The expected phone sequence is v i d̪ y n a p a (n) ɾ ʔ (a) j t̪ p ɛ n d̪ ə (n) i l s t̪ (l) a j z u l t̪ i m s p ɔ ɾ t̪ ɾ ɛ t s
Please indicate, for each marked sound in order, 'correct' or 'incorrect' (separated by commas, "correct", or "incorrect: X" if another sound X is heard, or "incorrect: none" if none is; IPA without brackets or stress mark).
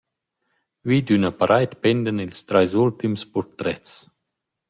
incorrect: none, correct, correct, incorrect: ɾ